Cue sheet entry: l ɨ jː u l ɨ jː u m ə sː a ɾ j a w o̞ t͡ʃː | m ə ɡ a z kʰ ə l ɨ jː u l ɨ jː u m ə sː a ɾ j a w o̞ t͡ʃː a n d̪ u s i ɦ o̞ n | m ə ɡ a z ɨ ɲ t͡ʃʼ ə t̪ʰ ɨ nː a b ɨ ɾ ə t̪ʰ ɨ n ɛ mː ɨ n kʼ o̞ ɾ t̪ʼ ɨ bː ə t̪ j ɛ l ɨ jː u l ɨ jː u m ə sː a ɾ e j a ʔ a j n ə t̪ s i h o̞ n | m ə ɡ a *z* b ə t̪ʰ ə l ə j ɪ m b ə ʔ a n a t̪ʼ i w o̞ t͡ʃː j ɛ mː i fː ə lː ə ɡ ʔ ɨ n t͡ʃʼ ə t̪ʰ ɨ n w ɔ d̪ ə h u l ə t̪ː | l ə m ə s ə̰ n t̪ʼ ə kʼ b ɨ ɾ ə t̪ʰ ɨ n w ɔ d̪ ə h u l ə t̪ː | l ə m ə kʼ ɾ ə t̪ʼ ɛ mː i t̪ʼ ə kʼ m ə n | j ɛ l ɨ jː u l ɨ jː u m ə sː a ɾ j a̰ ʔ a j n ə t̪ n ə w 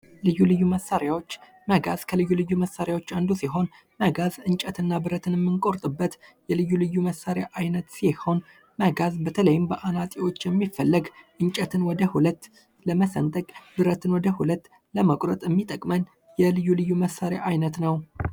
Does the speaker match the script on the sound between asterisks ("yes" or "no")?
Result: yes